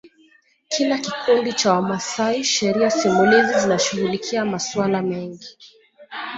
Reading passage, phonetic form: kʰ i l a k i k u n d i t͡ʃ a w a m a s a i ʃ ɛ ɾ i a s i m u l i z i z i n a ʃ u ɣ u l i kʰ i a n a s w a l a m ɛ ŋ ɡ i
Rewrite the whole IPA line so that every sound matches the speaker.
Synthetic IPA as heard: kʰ i l a k i k u n d i t͡ʃ a w a m a s a i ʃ ɛ ɾ i a s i m u l i z i z i n a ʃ u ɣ u l i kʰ i a m a s w a l a m ɛ ŋ ɡ i